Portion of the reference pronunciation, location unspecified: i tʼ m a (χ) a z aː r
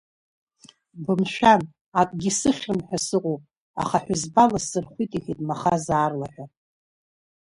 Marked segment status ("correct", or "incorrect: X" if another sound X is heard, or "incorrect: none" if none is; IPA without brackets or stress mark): correct